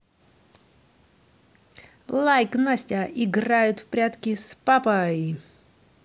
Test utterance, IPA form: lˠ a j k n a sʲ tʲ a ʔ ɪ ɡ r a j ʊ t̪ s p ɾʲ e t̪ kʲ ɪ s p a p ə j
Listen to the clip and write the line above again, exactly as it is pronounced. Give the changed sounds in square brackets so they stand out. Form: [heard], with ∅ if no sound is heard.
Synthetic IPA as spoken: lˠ a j k n a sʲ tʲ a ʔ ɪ ɡ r a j ʊ t̪ [f] p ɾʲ [a] t̪ kʲ ɪ s p a p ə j